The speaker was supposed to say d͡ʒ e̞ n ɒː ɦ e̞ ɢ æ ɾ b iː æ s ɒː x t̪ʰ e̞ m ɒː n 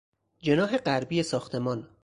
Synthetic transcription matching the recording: d͡ʒ e̞ n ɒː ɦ e̞ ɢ æ ɾ b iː e s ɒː x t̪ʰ e̞ m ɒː n

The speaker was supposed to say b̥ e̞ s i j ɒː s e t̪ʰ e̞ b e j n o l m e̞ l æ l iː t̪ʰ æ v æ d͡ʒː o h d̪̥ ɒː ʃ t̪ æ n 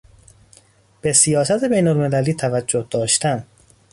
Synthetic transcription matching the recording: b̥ e̞ s i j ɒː s æ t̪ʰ e̞ b e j n o l m e̞ l æ l iː t̪ʰ æ v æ d͡ʒː o h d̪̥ ɒː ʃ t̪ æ n

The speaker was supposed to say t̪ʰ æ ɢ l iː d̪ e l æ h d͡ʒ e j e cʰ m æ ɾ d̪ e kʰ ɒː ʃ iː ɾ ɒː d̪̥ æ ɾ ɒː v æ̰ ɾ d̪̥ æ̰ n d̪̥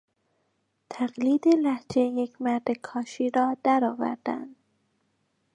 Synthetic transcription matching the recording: t̪ʰ æ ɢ l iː d̪ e l æ h d͡ʒ e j e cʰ m æ ɾ d̪ e kʰ ɒː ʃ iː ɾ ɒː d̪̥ æ ɾ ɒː v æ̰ ɾ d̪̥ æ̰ n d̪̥

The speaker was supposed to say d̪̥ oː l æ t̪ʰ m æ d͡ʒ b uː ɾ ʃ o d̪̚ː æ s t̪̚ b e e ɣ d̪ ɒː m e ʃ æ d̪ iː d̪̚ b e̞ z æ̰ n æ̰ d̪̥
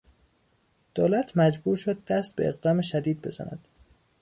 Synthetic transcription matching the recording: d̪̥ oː l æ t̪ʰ m æ d͡ʒ b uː ɾ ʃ o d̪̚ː æ s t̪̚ b e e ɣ d̪ ɒː m e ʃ æ d̪ iː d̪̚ b e̞ z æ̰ n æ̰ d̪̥

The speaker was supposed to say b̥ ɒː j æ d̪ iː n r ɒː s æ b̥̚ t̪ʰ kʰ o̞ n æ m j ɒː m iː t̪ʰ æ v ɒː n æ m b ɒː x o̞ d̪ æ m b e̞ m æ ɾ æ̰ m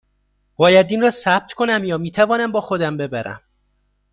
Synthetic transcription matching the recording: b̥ ɒː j æ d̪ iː n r ɒː s æ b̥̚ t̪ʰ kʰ o̞ n æ m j ɒː m iː t̪ʰ æ v ɒː n æ m b ɒː x o̞ d̪ æ m b e̞ b æ ɾ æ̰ m

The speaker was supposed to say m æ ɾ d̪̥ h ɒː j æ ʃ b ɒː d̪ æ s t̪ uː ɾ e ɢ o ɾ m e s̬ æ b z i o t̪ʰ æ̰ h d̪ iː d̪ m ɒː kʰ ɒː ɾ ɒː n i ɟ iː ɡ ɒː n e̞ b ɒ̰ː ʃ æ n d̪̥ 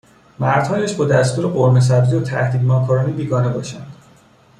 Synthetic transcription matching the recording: m æ ɾ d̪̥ h ɒː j æ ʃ b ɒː d̪ æ s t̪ uː ɾ e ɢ o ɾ m e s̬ æ b z i o t̪ʰ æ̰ h d̪ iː d̪ m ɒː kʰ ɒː ɾ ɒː n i b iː ɡ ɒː n e̞ b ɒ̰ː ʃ æ n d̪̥

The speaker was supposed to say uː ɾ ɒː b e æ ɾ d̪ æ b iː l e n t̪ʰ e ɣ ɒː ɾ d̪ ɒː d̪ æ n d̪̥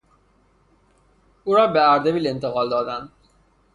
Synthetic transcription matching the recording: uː ɾ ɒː b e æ ɾ d̪ e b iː l e n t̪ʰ e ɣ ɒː l d̪ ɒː d̪ æ n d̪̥

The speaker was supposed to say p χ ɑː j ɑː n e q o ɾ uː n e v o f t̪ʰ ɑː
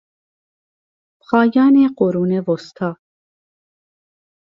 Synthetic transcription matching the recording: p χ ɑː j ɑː n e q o ɾ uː n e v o s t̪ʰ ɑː

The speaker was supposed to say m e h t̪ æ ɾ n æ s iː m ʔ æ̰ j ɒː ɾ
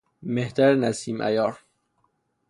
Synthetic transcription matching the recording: m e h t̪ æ ɾ n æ s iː m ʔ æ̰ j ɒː ɾ

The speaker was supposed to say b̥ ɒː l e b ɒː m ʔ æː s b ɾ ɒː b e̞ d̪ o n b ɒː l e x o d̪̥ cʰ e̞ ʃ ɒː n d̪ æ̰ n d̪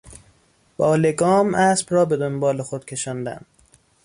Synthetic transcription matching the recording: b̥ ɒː l e ɡ ɒː m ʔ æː s b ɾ ɒː b e̞ d̪ o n b ɒː l e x o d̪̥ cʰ e̞ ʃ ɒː n d̪ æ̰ n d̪

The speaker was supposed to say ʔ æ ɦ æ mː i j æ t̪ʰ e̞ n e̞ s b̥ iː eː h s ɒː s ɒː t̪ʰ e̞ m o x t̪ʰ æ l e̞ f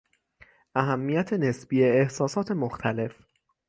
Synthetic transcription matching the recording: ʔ æ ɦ æ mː i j æ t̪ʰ e̞ n e̞ s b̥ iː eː h s ɒː s ɒː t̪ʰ e̞ m o x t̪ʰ æ l e̞ f

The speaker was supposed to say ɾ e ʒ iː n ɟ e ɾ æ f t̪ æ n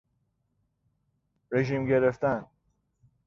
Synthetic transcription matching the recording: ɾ e ʒ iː m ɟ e ɾ e f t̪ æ n

